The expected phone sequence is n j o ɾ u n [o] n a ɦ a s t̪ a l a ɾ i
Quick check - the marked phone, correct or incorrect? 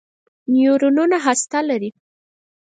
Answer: incorrect